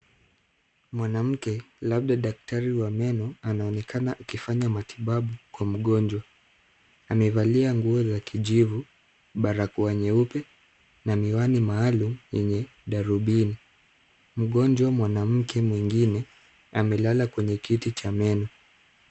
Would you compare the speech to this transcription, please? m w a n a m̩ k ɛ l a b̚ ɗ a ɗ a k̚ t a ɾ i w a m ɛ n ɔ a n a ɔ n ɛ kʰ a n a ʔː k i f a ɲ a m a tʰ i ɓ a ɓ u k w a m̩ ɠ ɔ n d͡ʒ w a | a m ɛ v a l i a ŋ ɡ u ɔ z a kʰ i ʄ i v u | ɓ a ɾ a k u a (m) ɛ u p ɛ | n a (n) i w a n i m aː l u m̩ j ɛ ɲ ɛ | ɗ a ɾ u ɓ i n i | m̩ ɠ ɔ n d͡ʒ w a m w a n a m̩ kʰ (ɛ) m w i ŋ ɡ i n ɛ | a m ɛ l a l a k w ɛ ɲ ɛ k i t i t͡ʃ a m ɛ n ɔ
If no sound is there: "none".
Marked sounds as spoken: ɲ, m, ɛ

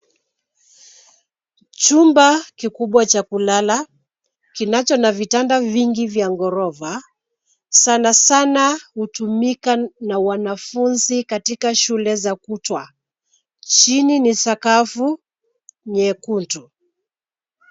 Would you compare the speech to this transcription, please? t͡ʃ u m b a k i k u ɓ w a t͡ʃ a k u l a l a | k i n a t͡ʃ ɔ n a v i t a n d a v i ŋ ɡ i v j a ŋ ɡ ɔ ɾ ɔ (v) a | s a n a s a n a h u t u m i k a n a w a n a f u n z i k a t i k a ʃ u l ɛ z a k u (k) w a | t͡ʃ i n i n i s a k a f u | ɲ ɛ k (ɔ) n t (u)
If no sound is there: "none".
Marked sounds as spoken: v, t, u, u

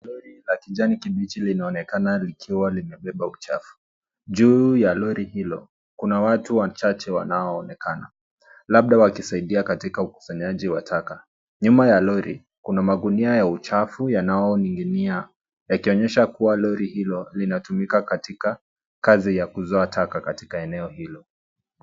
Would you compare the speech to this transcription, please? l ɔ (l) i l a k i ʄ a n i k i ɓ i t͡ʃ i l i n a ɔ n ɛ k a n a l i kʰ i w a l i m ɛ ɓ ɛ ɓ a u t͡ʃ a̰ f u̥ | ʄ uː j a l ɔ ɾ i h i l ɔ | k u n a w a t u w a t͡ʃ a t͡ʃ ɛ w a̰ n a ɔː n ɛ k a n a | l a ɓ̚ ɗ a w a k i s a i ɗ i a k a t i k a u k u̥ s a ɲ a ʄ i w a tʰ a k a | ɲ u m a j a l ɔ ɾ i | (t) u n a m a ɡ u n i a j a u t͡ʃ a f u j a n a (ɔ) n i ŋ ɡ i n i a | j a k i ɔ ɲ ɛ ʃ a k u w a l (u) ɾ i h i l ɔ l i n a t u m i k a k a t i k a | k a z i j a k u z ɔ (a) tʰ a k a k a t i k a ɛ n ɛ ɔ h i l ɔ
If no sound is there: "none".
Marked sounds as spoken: ɾ, k, ɔ, ɔ, a

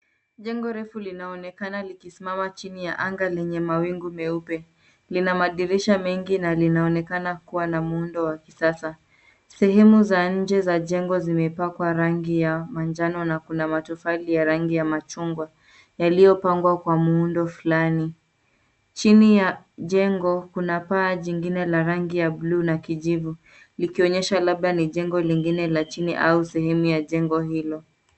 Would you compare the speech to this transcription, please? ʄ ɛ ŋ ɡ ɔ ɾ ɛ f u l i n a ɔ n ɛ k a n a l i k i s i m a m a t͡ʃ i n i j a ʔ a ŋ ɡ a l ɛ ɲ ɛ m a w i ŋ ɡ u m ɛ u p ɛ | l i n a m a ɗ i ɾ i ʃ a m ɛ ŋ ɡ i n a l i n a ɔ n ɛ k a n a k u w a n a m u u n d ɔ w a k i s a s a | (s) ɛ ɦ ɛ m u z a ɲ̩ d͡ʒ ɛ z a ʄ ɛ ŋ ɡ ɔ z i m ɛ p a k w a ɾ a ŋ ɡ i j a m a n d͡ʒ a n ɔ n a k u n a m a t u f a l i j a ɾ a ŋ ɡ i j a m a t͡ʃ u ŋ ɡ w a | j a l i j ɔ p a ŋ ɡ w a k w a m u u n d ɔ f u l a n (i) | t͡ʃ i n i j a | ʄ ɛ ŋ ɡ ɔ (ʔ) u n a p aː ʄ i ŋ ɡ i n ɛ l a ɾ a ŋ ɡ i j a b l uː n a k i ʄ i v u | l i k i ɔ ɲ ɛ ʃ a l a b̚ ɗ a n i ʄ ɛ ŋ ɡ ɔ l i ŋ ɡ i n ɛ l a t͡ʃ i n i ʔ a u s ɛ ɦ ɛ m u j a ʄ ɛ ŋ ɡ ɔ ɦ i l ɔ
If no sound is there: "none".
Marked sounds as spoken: s, i, k

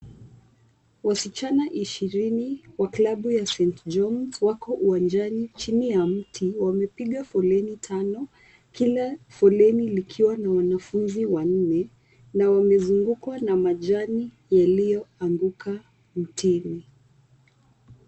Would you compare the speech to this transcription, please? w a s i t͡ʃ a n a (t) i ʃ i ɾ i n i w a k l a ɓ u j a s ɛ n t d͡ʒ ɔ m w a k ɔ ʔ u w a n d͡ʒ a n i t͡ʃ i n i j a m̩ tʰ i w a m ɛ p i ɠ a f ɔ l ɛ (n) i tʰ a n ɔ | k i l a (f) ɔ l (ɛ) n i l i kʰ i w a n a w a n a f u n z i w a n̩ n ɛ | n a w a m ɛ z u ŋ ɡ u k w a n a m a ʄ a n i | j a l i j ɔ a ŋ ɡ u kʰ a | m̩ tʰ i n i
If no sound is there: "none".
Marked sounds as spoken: ʔ, n, f, ɛ

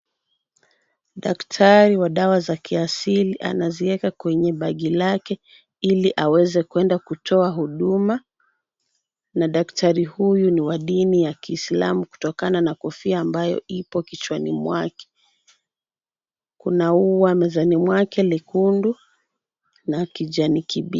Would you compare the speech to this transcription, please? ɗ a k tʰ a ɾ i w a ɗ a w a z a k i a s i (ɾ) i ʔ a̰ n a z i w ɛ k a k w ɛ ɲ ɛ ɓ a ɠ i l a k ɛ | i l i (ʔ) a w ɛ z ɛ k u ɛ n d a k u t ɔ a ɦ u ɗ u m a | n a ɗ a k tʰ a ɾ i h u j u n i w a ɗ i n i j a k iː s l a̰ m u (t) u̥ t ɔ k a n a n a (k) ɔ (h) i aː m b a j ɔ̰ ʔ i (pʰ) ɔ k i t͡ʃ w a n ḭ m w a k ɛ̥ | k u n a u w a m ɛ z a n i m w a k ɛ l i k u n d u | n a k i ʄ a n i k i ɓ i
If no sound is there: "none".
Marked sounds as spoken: l, ʔ, k, k, f, p

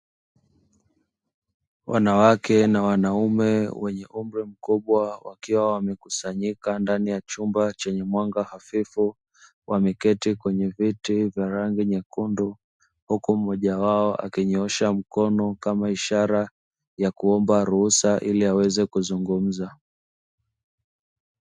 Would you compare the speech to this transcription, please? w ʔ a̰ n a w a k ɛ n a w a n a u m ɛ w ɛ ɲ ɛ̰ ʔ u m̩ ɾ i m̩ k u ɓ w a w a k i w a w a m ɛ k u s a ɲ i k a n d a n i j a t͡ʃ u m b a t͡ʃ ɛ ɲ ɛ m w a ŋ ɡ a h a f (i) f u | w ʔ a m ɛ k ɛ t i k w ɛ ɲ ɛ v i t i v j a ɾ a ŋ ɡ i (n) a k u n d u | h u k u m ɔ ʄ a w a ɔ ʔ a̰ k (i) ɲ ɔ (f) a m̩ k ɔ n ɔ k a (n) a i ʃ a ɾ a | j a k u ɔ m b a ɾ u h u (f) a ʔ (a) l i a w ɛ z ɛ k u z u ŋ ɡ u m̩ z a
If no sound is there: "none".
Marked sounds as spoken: i, ɲ, i, ʃ, m, s, i

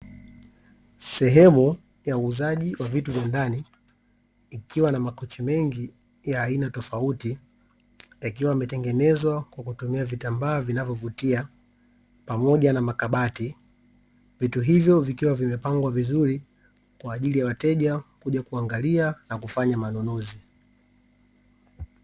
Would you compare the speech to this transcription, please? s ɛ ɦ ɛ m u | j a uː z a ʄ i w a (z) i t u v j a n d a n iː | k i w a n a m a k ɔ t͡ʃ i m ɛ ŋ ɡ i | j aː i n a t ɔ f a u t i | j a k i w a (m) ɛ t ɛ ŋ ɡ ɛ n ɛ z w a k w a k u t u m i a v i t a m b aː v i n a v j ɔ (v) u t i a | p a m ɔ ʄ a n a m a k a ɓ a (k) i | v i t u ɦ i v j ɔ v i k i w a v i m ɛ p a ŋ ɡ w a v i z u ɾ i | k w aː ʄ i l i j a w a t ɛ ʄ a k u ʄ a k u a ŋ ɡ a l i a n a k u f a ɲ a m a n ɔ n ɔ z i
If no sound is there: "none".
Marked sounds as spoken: v, m, v, t

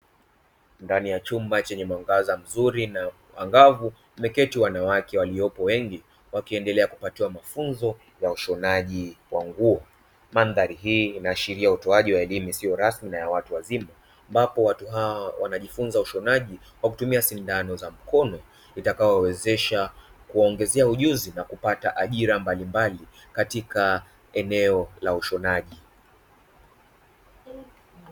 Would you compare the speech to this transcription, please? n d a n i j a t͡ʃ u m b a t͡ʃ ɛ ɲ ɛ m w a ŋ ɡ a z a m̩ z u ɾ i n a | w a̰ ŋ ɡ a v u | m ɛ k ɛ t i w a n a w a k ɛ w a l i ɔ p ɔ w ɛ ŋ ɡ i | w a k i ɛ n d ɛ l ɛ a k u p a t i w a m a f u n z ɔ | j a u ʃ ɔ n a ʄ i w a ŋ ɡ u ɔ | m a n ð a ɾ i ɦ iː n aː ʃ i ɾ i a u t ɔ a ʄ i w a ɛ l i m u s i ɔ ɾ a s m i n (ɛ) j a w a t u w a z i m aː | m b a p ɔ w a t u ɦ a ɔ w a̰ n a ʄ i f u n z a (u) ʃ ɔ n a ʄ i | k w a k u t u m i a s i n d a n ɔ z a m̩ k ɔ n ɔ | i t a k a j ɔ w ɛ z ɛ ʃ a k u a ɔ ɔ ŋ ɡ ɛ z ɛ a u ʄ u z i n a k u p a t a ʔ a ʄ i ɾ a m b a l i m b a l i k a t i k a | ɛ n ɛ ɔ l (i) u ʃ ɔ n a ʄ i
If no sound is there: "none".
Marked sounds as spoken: a, u, a

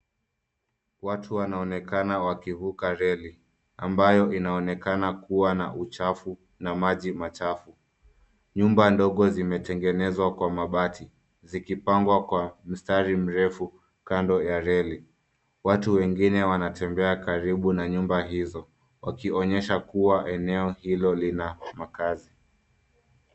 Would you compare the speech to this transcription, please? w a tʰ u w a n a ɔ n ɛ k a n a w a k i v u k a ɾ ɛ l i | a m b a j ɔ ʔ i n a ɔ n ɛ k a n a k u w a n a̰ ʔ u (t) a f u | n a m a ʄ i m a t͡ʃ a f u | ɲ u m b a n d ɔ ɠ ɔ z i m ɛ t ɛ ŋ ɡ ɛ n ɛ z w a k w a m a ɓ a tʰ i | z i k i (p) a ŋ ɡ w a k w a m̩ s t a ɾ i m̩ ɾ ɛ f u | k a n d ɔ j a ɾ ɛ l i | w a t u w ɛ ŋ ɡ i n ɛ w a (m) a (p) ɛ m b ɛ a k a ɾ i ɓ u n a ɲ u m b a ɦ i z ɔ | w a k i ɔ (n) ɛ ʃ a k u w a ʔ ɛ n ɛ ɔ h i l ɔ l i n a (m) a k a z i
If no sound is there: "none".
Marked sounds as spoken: t͡ʃ, p, n, t, ɲ, m

